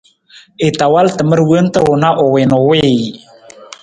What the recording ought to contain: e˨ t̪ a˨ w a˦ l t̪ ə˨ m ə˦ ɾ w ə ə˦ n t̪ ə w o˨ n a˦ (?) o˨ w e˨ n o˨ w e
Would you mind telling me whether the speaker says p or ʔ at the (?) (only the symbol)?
ʔ